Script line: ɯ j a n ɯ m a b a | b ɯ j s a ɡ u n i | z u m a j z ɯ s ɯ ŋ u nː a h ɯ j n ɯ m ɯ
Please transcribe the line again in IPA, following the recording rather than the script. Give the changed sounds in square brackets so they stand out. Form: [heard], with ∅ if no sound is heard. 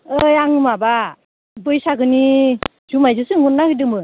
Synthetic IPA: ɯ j a [ŋ] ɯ m a b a | b ɯ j s a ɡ [ɯ] n i | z u m a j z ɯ s ɯ ŋ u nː a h ɯ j [d] ɯ m ɯ